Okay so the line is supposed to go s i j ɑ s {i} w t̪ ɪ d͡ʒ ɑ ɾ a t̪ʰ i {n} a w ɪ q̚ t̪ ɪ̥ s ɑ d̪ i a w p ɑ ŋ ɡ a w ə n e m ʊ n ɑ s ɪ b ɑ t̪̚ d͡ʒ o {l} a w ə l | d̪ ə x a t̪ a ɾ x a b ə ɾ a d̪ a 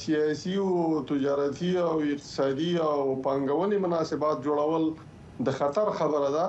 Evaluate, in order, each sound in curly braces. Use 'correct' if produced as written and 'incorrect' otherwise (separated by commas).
correct, incorrect, incorrect